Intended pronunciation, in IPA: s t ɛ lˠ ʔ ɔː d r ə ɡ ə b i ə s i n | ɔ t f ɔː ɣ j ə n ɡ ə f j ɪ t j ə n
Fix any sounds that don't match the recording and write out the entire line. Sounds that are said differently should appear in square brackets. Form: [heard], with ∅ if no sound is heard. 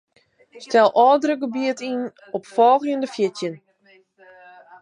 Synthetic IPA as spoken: s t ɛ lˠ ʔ ɔː d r ə ɡ ə b i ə [t] i n | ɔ [p] f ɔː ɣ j ə n [d] ə f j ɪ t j ə n